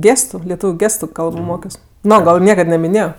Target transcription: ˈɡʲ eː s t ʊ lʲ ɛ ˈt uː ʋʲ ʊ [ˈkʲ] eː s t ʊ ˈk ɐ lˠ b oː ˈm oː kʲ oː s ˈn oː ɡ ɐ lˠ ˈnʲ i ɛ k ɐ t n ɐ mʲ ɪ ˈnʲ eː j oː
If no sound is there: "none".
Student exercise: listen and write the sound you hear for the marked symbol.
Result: ɡʲ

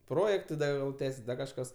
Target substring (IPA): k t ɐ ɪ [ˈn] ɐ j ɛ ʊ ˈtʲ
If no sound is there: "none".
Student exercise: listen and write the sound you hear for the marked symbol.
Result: d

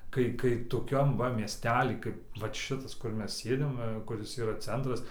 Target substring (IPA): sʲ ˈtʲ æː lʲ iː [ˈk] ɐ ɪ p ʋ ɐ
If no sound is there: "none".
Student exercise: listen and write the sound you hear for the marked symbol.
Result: k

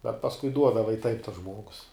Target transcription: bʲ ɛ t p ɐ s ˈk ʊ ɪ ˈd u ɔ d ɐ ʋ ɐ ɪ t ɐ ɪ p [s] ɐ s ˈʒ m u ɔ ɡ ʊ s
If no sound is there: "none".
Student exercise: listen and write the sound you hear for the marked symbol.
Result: t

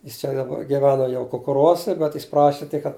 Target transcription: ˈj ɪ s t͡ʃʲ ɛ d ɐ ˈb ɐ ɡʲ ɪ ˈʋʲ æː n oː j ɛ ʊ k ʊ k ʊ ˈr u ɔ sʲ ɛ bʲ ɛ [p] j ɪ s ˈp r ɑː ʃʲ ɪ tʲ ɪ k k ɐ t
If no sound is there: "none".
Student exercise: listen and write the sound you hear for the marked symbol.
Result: t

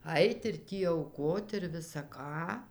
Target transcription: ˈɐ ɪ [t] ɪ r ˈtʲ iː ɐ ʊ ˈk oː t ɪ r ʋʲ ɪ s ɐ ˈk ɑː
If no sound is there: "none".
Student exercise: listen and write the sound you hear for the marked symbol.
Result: t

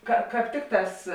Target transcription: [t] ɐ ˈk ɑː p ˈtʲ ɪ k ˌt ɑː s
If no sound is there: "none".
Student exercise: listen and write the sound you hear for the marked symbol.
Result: k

